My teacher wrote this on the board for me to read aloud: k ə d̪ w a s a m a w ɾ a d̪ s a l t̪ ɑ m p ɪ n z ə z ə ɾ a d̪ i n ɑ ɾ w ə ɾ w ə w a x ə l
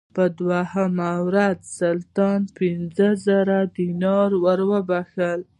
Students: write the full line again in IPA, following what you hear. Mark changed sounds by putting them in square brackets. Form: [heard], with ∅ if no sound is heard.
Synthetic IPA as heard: [p] ə d̪ w a [h] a m a w ɾ a d̪ s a l t̪ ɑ [n] p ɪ n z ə z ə ɾ a d̪ i n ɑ ɾ w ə ɾ w ə [b] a x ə l